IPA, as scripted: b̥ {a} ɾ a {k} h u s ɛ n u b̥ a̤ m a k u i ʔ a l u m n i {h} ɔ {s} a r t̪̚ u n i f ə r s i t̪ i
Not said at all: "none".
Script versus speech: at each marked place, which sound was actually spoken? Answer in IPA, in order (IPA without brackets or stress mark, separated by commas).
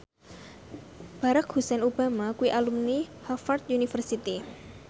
a, k, h, f